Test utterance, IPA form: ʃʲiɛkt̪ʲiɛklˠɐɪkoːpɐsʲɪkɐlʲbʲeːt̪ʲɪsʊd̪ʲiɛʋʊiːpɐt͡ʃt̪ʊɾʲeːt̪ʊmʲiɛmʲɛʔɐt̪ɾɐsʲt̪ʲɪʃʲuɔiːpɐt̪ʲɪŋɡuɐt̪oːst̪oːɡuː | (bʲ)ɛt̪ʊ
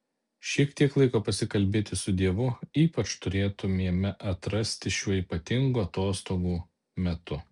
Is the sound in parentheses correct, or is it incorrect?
incorrect